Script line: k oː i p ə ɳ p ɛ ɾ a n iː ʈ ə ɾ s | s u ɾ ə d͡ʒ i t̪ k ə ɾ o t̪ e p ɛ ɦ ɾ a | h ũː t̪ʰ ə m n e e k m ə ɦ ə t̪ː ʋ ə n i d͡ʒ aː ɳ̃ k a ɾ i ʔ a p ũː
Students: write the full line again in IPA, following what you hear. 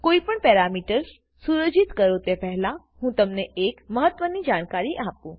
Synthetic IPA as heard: k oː i p ə ɳ p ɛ ɾ a m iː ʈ ə ɾ s | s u ɾ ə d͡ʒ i t̪ k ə ɾ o t̪ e p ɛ ɦ l a | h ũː t̪ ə m n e e k m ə ɦ ə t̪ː ʋ ə n i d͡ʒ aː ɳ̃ k a ɾ i ʔ a p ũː